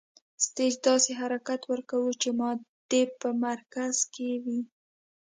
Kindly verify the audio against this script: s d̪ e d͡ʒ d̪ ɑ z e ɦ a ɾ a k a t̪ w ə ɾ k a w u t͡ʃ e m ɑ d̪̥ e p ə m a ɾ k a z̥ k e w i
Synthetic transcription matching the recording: s t̪ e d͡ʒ d̪ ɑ s e ɦ a ɾ a k a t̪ w ə ɾ k a w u t͡ʃ e m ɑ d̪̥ e p ə m a ɾ k a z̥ k e w i